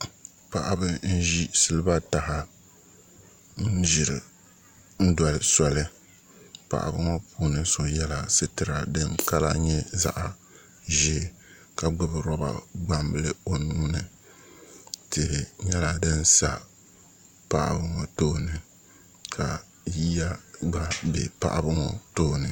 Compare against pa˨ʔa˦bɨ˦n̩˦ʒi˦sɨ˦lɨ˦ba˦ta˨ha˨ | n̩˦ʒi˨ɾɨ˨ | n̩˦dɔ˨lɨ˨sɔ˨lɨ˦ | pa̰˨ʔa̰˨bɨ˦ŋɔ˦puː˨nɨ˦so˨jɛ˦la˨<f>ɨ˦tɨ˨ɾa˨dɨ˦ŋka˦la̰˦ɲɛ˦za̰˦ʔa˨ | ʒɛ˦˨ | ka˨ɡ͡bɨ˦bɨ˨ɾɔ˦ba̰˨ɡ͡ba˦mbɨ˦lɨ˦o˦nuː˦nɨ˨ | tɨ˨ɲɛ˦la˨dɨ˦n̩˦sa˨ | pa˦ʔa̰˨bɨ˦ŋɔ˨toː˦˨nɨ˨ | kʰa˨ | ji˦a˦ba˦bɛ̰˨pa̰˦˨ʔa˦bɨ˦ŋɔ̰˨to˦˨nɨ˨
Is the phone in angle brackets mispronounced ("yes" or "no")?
yes